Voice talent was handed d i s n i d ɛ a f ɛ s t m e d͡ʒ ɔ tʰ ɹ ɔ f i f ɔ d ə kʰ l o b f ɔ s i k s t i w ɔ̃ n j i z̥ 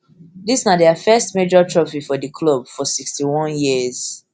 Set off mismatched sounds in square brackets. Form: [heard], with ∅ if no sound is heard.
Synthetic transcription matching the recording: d i s n [a] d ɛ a f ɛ s t m e d͡ʒ ɔ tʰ ɹ ɔ f i f ɔ d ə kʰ l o b f ɔ s i k s t i w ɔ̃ n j i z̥

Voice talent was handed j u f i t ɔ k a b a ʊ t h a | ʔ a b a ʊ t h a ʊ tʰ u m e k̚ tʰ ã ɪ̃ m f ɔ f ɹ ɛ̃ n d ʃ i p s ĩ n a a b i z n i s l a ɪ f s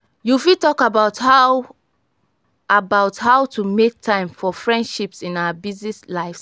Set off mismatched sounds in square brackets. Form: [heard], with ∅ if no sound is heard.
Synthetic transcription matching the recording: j u f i t ɔ k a b a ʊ t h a | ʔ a b a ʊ t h a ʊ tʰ u m e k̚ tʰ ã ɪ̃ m f ɔ f ɹ ɛ̃ n d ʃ i p s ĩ n a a b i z n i s l a ɪ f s

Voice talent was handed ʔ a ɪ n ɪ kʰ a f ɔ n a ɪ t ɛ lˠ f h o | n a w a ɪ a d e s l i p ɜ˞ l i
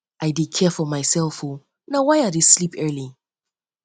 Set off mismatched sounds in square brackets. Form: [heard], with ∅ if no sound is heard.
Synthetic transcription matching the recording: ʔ a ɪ [d] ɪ kʰ [ɛ] f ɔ [m] a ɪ [s] ɛ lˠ f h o | n a w a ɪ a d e s l i p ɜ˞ l i

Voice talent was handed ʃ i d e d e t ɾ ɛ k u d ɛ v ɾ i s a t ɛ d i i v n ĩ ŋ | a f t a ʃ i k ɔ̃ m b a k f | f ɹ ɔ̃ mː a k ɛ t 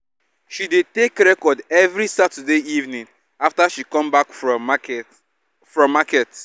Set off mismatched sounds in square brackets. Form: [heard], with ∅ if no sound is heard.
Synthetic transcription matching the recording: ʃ i d e [t] e [k] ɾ ɛ k [ɔ] d ɛ v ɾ i s a t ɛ d [e] i v n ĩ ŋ | a f t a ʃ i k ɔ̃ m b a k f | f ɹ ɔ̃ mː a k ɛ t

